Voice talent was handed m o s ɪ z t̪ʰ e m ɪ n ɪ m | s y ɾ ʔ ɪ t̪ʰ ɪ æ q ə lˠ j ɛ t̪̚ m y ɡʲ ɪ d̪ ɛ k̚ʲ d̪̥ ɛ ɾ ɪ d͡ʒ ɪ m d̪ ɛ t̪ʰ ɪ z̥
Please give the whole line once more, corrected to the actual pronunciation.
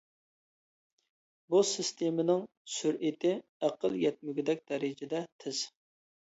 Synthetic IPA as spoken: b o s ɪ s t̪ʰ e m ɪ n ɪ ŋ | s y ɾ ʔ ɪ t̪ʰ ɪ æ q ə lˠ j ɛ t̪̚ m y ɡʲ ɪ d̪ ɛ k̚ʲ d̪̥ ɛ ɾ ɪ d͡ʒ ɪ d̪ ɛ t̪ʰ ɪ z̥